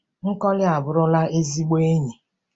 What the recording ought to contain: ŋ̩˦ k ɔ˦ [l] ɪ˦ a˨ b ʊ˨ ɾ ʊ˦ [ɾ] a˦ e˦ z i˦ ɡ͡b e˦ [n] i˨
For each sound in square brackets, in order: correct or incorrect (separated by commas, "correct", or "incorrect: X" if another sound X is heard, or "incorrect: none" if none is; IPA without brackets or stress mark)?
correct, incorrect: l, incorrect: ɲ